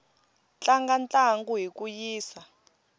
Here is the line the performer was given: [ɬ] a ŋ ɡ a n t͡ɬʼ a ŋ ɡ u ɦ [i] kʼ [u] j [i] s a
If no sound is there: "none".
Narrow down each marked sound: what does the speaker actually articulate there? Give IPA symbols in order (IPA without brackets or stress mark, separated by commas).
t͡ɬ, i, u, iː